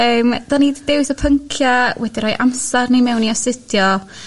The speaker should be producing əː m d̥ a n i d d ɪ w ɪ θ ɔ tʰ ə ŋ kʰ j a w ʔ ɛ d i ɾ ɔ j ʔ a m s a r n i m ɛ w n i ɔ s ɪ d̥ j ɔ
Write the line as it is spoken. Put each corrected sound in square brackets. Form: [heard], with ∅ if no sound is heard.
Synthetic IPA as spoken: əː m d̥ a n i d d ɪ w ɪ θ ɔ [pʰ] ə ŋ kʰ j a w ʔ ɛ d i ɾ ɔ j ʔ a m s a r n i m ɛ w n i ɔ s ɪ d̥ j ɔ